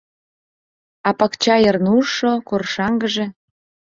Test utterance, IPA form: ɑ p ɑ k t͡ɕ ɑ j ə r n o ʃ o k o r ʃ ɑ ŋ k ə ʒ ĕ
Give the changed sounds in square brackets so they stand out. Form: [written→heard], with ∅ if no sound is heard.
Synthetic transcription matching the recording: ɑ p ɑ k t͡ɕ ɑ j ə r n [o→u] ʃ o k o r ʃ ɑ ŋ [k→ɡ] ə ʒ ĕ